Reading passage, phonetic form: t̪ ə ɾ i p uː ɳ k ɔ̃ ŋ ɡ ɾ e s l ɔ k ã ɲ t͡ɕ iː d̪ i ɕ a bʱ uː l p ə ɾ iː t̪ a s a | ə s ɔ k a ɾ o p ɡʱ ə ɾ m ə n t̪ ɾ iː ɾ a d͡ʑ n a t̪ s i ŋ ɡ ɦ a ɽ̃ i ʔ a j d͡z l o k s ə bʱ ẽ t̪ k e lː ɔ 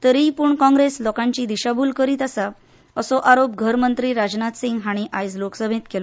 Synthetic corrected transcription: t̪ ə ɾ i p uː ɳ k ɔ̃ ŋ ɡ ɾ e s l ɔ k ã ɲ t͡ɕ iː d̪ i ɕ a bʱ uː l k ə ɾ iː t̪ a s a | ə s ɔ ʔ a ɾ o p ɡʱ ə ɾ m ə n t̪ ɾ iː ɾ a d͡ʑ n a t̪ s i ŋ ɡ ɦ a ɽ̃ i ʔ a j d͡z l o k s ə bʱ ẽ t̪ k e l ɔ